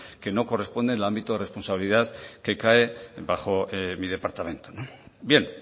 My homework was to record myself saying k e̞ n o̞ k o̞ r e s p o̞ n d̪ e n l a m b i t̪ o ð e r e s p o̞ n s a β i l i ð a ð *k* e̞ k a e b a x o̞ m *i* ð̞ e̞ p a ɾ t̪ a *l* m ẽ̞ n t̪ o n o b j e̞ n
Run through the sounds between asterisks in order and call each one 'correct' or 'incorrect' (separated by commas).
correct, correct, incorrect